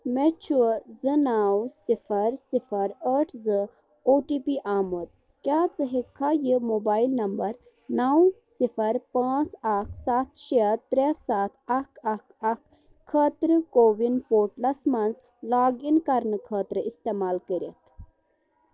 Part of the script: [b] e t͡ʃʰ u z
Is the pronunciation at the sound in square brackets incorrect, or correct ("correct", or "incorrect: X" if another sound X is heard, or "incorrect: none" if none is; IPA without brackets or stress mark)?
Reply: incorrect: m